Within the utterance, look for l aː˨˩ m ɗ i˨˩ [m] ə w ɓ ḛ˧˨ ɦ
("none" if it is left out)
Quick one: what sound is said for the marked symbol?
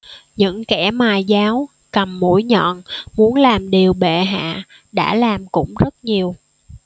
none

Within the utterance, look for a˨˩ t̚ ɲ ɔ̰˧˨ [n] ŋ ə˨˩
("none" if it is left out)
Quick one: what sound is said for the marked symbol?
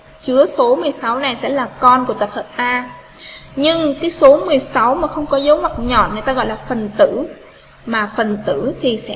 n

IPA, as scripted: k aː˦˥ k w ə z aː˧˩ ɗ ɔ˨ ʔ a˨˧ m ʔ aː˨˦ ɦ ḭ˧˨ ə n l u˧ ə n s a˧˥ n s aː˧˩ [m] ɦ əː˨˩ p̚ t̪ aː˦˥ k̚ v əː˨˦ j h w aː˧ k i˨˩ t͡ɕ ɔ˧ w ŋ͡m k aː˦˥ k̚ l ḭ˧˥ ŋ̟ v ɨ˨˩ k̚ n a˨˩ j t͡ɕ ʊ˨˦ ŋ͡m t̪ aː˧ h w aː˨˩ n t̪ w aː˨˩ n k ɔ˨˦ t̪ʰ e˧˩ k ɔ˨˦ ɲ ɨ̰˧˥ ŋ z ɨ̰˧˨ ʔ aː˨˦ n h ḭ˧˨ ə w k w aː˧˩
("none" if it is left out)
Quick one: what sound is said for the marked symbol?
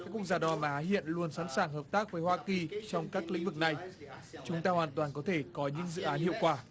ŋ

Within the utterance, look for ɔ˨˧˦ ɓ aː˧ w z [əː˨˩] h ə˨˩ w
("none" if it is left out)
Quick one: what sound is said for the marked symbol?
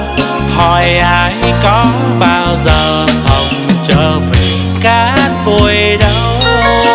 əː˨˩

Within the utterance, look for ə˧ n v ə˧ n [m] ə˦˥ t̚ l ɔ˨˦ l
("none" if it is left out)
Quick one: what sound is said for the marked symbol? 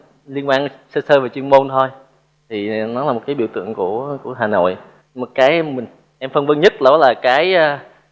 ɲ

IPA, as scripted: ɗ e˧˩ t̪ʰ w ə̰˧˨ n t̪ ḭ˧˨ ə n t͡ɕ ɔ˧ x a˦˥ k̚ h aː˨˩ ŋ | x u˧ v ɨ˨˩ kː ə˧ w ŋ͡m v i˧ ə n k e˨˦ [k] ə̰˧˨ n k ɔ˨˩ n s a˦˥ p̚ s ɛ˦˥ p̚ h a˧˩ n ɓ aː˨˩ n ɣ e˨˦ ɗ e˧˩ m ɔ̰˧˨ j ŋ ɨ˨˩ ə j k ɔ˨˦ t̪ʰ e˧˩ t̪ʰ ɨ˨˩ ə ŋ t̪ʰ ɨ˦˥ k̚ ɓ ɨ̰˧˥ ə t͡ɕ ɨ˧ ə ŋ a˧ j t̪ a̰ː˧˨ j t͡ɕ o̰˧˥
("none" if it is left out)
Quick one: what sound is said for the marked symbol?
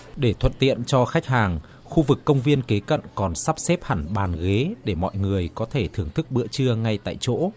k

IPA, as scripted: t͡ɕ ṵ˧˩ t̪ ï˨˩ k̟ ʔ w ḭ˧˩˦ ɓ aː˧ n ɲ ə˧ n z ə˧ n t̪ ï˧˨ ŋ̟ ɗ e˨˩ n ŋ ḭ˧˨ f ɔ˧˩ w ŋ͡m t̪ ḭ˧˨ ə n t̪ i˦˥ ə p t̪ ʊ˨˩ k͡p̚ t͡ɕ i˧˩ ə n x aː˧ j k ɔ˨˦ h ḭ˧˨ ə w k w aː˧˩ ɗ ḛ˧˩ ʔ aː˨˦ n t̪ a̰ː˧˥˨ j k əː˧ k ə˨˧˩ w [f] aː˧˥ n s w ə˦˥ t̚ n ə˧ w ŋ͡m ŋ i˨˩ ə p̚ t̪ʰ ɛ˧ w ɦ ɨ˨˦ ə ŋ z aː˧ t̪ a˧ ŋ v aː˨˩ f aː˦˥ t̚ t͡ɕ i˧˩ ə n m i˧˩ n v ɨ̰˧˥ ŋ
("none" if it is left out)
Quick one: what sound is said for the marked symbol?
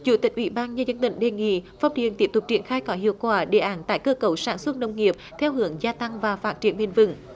s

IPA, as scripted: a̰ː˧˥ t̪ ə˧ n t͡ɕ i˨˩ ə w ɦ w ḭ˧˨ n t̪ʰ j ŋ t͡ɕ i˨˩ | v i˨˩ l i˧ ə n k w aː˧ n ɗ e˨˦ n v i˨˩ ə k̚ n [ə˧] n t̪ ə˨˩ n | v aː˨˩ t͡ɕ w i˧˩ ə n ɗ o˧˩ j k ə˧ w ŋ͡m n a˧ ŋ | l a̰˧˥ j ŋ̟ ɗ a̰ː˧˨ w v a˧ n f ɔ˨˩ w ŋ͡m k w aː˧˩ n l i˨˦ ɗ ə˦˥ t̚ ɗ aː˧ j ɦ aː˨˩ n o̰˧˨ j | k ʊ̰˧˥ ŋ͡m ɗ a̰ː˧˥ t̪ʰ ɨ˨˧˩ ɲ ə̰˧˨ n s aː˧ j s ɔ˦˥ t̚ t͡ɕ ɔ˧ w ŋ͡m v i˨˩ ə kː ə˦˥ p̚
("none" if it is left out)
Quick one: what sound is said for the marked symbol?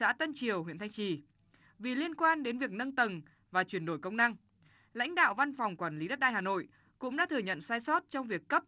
ə˧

